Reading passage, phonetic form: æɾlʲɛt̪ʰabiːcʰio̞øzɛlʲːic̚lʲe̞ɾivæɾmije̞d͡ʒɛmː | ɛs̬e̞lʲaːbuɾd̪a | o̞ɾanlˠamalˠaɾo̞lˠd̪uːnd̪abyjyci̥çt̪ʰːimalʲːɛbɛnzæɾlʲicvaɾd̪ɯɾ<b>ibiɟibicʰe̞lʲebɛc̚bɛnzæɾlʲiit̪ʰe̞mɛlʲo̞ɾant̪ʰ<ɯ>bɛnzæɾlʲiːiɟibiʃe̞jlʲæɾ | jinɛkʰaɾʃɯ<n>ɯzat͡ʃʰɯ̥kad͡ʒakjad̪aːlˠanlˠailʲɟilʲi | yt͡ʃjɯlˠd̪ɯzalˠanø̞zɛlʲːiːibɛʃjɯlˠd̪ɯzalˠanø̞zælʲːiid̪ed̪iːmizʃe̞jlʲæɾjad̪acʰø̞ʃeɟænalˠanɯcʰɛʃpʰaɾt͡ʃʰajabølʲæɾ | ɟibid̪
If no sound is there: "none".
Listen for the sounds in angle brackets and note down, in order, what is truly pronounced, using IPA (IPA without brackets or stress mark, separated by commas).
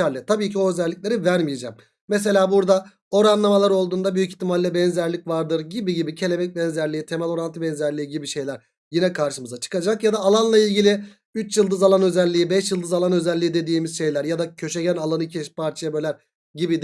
ɟ, ɯ, m